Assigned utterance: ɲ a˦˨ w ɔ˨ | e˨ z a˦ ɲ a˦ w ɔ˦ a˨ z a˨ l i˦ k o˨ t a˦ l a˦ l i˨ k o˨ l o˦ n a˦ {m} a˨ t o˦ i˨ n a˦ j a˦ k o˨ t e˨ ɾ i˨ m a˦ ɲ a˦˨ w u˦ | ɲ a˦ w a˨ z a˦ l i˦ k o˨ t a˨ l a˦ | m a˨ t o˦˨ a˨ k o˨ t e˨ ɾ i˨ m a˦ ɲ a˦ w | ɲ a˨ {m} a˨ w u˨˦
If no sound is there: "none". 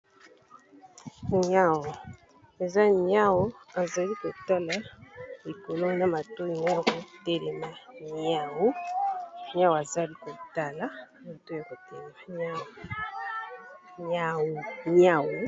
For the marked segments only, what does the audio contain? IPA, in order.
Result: m, ɲ

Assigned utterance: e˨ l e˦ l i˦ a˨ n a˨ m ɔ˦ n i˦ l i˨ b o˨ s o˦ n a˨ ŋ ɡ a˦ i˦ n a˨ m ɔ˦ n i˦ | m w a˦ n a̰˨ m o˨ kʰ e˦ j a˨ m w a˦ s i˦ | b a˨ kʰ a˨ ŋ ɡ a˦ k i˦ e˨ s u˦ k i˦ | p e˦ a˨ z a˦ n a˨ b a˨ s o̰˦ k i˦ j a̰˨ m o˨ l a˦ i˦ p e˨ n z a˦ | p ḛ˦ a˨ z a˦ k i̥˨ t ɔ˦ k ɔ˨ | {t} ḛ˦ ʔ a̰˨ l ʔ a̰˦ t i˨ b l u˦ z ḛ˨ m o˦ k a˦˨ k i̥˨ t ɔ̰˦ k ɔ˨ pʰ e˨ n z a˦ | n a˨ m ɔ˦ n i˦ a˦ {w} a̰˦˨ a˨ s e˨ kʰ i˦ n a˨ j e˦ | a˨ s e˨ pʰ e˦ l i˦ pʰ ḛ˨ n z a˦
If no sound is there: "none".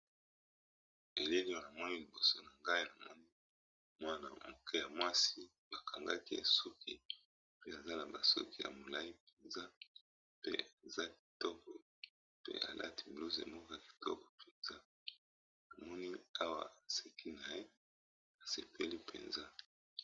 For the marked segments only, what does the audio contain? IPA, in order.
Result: p, w

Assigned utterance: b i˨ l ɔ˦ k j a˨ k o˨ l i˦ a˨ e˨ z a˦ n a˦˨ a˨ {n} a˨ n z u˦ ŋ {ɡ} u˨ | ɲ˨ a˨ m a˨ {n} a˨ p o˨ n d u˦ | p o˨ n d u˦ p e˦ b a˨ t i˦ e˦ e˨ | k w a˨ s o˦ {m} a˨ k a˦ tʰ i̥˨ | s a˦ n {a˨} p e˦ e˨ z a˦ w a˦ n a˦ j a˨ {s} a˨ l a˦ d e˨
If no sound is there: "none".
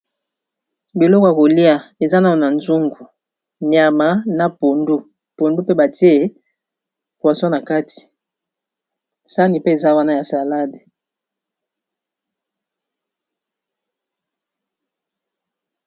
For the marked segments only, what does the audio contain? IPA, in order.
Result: n, ɡ, n, n, i˨, s

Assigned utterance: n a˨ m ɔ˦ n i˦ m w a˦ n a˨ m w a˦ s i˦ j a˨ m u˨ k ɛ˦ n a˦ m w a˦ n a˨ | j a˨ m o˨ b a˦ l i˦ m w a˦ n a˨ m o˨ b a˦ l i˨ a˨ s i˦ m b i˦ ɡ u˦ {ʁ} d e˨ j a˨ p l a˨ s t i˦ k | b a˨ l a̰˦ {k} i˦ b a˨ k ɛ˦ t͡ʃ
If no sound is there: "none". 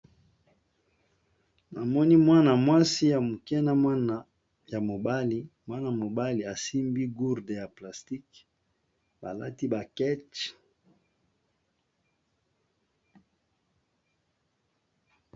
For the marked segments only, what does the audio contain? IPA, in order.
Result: ʁ, t

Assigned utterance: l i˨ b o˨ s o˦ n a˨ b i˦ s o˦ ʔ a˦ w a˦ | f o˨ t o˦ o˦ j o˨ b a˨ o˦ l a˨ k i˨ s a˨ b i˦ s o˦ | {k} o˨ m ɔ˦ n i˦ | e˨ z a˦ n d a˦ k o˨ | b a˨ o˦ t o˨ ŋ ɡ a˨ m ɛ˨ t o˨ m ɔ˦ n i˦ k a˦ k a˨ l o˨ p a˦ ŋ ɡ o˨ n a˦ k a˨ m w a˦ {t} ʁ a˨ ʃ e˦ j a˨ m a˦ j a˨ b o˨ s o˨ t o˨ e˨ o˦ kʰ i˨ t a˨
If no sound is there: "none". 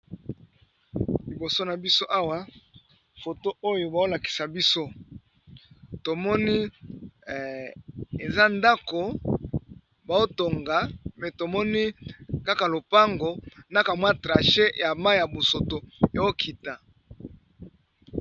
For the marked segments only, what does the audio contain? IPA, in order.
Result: t, t

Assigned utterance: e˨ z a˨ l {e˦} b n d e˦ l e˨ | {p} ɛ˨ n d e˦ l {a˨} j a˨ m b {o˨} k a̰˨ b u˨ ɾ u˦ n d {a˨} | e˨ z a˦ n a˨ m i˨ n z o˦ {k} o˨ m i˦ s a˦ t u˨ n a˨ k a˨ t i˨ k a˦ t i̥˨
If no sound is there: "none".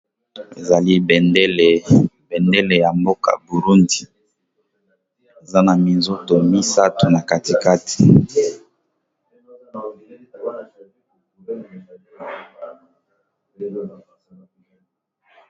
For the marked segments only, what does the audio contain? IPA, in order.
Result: i˦, b, e˨, o˦, i˨, t

